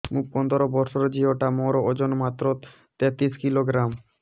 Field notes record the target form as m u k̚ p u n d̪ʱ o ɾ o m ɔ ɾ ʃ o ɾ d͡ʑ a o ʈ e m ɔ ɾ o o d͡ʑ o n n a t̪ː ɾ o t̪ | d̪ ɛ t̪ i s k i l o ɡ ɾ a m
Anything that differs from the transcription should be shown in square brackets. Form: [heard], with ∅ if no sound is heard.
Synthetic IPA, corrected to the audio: m u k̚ p [ɔ] n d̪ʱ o ɾ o [b] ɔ ɾ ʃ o ɾ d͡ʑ [i] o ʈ [a] m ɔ ɾ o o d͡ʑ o n [m] a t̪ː ɾ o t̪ | [t̪] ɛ t̪ i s k i l o ɡ ɾ a m